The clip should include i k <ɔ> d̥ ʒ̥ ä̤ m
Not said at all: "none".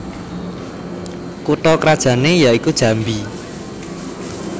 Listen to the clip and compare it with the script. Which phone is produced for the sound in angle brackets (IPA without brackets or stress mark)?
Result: u